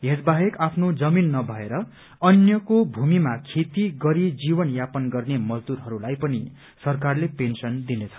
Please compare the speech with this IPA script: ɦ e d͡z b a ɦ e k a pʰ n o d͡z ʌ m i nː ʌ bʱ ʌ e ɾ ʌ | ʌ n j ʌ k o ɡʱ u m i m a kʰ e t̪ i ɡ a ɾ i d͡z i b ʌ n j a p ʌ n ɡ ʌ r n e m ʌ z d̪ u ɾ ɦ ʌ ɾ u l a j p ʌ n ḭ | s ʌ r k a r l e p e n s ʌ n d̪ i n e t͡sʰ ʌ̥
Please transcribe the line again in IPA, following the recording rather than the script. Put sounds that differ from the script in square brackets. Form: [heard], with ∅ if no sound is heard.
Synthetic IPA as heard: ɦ e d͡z b a ɦ e k a pʰ n o d͡z ʌ m i nː ʌ bʱ ʌ e ɾ ʌ | ʌ n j ʌ k o [bʱ] u m i m a kʰ e t̪ i ɡ [ʌ] ɾ i d͡z i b ʌ n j a p ʌ n ɡ ʌ r n e m ʌ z d̪ u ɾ ɦ ʌ ɾ u l a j p ʌ n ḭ | s ʌ r k a r l e p e n s ʌ n d̪ i n e t͡sʰ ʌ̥